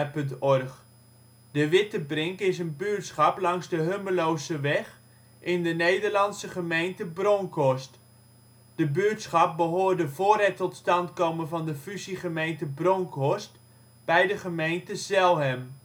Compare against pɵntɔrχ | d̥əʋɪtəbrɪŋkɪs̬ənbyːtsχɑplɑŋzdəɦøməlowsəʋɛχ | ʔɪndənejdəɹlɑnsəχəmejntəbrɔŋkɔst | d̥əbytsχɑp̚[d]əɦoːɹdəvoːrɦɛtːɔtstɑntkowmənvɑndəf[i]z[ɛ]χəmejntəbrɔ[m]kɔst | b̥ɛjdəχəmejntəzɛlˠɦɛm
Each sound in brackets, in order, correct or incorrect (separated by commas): incorrect, incorrect, incorrect, incorrect